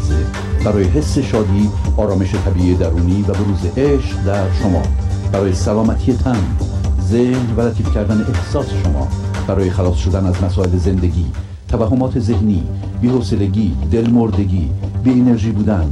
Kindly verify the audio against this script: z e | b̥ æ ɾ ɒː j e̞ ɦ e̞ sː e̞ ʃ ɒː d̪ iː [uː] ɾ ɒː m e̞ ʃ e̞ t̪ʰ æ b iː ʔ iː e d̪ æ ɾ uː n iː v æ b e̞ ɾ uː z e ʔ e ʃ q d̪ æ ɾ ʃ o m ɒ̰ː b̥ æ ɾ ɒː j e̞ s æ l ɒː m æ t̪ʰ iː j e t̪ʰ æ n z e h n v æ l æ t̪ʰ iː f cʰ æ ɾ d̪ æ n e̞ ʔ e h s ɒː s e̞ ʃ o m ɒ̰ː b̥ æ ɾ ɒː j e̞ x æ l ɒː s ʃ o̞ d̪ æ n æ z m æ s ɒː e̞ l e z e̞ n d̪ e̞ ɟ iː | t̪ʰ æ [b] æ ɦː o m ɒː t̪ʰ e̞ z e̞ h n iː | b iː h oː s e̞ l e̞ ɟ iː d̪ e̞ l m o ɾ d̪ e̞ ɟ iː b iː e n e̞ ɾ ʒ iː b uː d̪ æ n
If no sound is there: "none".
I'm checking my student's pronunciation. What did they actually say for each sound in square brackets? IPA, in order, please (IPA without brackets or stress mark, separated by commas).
ɒː, v